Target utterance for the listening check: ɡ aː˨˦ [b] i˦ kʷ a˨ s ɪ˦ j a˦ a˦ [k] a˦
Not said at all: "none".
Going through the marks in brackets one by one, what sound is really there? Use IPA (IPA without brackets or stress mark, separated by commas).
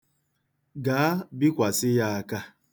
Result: b, k